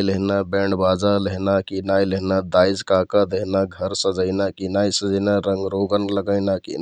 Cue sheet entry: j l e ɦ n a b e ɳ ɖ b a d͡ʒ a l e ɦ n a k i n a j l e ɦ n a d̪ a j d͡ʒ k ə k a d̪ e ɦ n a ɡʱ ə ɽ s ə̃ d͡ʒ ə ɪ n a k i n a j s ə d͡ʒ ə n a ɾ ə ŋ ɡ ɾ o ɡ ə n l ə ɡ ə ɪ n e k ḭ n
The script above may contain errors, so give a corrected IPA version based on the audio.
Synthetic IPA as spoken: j l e ɦ n a b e ɳ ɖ b a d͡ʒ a l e ɦ n a k i n a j l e ɦ n a d̪ a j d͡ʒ k a k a d̪ e ɦ n a ɡʱ ə ɾ s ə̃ d͡ʒ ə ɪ n a k i n a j s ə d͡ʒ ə n a ɾ ə ŋ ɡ ɾ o ɡ ə n l ə ɡ ə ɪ n a k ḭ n

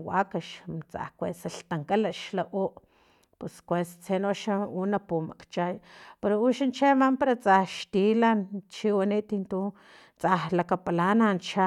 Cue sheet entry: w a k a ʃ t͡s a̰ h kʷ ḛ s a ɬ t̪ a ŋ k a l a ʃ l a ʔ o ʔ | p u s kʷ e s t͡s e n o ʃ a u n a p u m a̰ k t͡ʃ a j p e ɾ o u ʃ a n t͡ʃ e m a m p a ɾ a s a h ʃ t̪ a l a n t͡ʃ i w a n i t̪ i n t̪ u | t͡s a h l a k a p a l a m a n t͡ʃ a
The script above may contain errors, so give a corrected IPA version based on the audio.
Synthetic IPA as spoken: w a k a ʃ t͡s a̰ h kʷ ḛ s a ɬ t̪ a ŋ k a l a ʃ l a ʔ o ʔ | p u s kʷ e s t͡s e n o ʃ a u n a p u m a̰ k t͡ʃ a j p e ɾ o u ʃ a n t͡ʃ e m a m p a ɾ a t͡s a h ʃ t̪ i l a n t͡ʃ i w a n i t̪ i n t̪ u | t͡s a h l a k a p a l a n a n t͡ʃ a

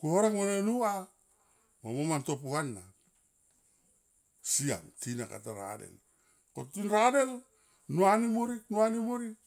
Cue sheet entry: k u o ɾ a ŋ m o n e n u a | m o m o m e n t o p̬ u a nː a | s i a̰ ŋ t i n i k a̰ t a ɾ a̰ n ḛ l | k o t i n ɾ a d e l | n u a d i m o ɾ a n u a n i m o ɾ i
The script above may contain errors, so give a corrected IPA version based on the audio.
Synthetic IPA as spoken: k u o ɾ a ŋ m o n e n u a | m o m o m a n t o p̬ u a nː a | s i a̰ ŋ t i n a k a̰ t a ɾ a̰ d ḛ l | k o t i n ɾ a d e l | n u a n i m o ɾ i n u a n i m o ɾ i

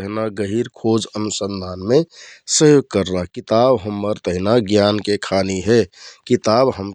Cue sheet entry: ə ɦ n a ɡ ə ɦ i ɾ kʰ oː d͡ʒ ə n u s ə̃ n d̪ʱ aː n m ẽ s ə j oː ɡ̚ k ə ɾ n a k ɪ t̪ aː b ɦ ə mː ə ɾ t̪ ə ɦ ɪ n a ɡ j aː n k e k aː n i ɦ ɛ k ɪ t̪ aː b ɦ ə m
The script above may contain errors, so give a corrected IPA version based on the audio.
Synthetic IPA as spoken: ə ɦ n a ɡ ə ɦ i ɾ kʰ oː d͡ʒ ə n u s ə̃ n d̪ʱ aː n m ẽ s ə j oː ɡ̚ k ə ɾ n a k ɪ t̪ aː b ɦ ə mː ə ɾ t̪ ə ɦ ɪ n a ɡ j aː n k e kʰ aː n i ɦ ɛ k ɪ t̪ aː b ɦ ə m

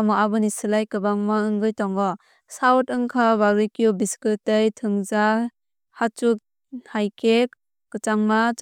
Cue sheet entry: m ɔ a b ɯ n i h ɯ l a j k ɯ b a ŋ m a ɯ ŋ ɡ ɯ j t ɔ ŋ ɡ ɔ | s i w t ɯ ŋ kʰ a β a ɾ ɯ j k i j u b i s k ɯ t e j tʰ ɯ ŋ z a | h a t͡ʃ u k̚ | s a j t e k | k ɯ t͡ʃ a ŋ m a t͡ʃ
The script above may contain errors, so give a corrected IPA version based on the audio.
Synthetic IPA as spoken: m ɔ a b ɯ n i s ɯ l a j k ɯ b a ŋ m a ɯ ŋ ɡ ɯ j t ɔ ŋ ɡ ɔ | s a w t ɯ ŋ kʰ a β a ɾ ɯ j k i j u b i s k ɯ t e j tʰ ɯ ŋ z a | h a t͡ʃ u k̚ | h a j k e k | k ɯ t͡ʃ a ŋ m a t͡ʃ

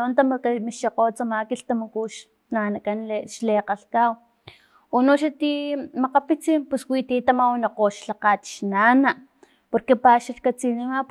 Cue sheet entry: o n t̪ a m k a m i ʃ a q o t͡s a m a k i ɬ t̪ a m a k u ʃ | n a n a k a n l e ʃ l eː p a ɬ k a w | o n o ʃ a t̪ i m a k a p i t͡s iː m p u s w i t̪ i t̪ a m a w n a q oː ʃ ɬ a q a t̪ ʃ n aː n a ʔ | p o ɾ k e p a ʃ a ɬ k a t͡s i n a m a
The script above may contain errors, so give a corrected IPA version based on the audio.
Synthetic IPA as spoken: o n t̪ a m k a m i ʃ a q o t͡s a m a k i ɬ t̪ a m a k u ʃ | n a n a k a n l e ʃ l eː q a ɬ k a w | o n o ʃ a t̪ i m a q a p i t͡s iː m p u s w i t̪ i t̪ a m a w n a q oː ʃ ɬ a q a t̪ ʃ n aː n a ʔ | p o ɾ k e p a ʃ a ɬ k a t͡s i n i m a

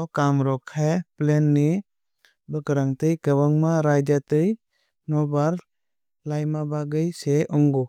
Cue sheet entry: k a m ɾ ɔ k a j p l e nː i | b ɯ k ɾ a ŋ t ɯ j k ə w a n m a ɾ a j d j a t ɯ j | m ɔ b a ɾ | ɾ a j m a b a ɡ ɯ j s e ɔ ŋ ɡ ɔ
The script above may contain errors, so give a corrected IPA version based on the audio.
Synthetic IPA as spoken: k a m ɾ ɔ kʰ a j p l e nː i | b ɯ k ɾ a ŋ t ɯ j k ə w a ŋ m a ɾ a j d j a t ɯ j | n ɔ b a ɾ | l a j m a b a ɡ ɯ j s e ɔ ŋ ɡ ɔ

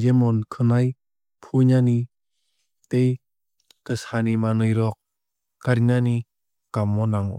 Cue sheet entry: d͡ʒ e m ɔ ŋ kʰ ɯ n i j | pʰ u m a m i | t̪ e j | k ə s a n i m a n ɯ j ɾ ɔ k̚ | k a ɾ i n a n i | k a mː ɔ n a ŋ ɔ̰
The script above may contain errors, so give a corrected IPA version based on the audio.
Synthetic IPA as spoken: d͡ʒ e m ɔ n kʰ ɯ n a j | pʰ u ɲ a n i | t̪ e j | k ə s a n i m a n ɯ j ɾ ɔ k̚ | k a ɾ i n a n i | k a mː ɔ n a ŋ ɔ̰

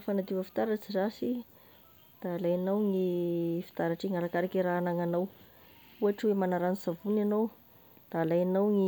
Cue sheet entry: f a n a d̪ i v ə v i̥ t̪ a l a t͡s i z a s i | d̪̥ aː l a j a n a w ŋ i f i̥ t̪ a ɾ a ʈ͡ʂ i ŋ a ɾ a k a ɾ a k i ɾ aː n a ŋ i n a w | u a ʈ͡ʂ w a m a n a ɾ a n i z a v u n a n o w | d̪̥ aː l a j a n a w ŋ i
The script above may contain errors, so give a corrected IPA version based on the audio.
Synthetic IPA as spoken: f a n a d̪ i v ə f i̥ t̪ a ɾ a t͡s i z a s i | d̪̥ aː l a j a n a w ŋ i f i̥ t̪ a ɾ a ʈ͡ʂ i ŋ a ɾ a k a ɾ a k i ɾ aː n a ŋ a n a w | u a ʈ͡ʂ w e m a n a ɾ a n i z a v u n a n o w | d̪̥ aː l a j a n a w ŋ i

